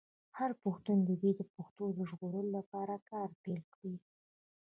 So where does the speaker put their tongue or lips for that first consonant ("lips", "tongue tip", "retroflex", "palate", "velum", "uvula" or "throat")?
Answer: throat